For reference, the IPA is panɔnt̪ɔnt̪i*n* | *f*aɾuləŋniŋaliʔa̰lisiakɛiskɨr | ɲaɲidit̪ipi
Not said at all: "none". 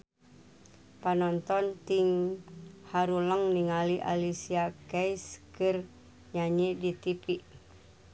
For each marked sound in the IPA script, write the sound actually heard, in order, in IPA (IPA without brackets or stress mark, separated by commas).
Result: ŋ, h